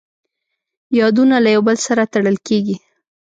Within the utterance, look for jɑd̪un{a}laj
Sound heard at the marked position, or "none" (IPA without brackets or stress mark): a